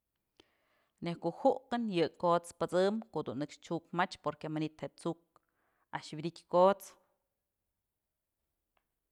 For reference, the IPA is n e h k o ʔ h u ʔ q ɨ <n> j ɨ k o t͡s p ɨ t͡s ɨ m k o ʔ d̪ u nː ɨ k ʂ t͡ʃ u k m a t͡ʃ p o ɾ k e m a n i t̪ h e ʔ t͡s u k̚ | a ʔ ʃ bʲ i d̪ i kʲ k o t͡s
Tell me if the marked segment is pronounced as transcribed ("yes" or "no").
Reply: yes